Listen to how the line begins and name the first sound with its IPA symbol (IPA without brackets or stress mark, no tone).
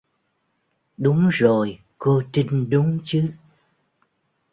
ɗ